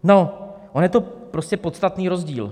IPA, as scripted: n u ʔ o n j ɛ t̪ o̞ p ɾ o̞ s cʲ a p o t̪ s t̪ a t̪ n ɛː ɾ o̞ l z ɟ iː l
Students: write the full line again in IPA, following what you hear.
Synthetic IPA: n o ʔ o n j ɛ t̪ o̞ p ɾ o̞ s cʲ ɛ p o t̪ s t̪ a t̪ n iː ɾ o̞ z ɟ iː l